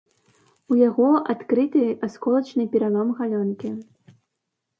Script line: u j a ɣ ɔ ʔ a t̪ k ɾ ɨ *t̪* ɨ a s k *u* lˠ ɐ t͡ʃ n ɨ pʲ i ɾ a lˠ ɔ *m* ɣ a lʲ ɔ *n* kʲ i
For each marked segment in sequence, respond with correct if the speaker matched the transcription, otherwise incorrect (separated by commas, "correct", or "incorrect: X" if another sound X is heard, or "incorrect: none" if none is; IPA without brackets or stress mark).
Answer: correct, incorrect: ɔ, correct, correct